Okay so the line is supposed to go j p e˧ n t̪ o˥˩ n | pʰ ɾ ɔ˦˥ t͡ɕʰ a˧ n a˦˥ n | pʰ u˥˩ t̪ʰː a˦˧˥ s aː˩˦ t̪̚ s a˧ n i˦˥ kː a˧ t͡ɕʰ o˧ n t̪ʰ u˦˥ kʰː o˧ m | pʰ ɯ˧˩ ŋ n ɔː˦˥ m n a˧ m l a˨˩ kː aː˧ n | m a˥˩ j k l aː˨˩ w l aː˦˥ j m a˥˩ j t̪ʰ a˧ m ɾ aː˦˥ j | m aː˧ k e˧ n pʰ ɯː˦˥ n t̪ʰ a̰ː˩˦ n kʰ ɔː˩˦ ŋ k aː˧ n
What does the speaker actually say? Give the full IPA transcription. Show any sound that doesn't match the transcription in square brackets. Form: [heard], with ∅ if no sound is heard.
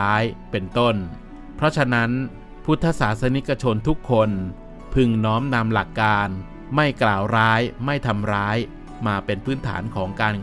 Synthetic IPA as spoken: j p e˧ n t̪ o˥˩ n | pʰ ɾ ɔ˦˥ t͡ɕʰ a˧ n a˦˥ n | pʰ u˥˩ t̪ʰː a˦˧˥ s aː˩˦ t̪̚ s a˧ n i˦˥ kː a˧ t͡ɕʰ o˧ n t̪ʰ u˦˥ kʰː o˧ [n] | pʰ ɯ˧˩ ŋ n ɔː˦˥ m n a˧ m l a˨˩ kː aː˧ n | m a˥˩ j k l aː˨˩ w [ɾ] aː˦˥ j m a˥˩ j t̪ʰ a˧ m ɾ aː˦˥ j | m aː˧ [p] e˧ n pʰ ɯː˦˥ n t̪ʰ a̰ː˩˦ n kʰ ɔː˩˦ ŋ k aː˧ n